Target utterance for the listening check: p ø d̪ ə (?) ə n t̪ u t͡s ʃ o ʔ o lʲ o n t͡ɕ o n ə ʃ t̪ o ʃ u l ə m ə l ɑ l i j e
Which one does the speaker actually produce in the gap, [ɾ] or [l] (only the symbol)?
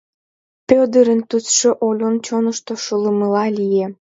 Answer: ɾ